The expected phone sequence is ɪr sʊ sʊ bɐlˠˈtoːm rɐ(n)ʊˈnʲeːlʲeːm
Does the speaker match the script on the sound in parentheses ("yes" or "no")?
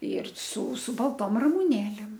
no